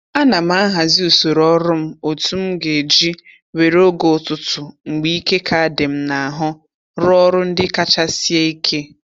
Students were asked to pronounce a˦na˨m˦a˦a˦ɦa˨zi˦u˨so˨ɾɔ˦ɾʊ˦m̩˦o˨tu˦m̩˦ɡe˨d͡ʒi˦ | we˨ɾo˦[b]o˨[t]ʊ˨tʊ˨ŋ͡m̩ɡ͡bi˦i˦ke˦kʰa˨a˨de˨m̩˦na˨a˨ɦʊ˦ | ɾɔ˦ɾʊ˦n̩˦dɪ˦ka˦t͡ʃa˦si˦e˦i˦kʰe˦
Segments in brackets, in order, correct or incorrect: incorrect: ɡ, correct

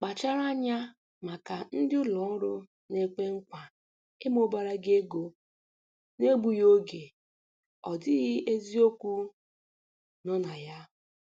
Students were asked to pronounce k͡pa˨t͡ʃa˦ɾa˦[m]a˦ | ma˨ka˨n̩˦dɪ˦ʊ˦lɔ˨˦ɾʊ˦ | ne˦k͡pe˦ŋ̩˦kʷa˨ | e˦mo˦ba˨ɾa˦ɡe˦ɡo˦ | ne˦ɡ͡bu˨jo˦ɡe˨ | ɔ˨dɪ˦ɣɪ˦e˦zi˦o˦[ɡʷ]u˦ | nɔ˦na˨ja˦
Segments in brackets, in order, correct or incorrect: incorrect: ɲ, incorrect: kʷ

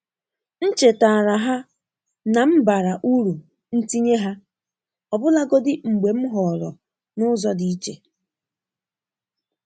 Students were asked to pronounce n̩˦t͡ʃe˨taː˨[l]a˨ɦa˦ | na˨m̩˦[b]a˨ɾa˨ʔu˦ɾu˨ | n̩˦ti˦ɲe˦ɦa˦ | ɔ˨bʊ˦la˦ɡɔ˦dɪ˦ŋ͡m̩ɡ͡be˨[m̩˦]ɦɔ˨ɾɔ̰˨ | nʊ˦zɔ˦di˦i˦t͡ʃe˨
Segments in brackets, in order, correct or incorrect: incorrect: ɾ, correct, correct

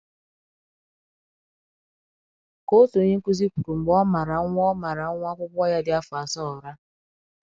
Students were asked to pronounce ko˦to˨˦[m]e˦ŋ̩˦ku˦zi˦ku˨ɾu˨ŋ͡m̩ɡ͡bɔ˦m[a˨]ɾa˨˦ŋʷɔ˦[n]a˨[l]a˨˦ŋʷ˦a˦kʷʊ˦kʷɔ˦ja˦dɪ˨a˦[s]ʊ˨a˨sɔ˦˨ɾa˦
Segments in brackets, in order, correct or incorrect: incorrect: ɲ, correct, incorrect: m, incorrect: ɾ, incorrect: f

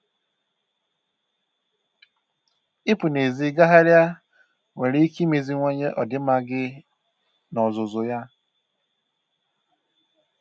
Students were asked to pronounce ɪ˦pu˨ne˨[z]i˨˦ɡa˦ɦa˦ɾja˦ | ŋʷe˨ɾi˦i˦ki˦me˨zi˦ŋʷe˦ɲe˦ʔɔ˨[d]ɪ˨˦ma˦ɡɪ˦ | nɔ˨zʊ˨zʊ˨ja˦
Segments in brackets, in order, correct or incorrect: correct, correct

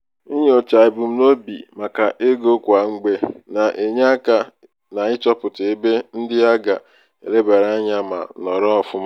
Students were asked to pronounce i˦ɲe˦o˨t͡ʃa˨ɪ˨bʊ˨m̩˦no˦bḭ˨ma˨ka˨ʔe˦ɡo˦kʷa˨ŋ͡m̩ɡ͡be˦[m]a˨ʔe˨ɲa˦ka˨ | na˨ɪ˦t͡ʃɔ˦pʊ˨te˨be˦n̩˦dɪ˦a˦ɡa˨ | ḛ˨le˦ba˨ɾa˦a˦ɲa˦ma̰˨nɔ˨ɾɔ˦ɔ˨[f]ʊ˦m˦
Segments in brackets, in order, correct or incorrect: incorrect: n, correct

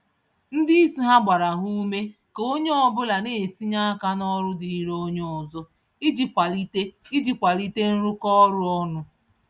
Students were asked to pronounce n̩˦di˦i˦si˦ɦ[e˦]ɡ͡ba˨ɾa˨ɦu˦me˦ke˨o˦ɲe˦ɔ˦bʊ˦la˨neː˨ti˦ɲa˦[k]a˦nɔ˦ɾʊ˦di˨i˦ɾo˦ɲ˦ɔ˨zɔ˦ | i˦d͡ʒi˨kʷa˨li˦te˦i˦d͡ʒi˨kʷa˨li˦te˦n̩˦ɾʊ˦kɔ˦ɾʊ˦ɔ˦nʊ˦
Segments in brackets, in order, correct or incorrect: incorrect: a˦, correct

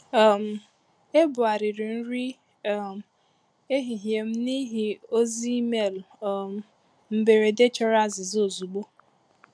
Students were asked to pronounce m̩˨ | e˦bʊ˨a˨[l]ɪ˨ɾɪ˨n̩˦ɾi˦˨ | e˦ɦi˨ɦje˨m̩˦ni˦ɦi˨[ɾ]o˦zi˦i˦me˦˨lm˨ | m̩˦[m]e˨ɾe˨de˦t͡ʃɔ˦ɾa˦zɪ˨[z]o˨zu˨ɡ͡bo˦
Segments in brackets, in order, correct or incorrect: incorrect: ɾ, incorrect: none, incorrect: b, correct

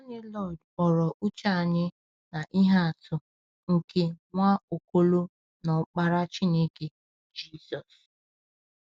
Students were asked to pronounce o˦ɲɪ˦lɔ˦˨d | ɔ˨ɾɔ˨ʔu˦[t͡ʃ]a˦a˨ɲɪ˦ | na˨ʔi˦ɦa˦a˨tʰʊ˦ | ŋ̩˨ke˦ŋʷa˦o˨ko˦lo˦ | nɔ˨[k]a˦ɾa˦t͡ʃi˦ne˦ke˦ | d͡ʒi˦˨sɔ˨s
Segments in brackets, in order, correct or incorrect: correct, incorrect: k͡p

